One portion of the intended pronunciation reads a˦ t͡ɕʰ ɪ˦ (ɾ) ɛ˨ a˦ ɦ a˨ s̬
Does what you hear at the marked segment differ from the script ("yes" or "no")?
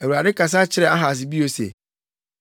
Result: no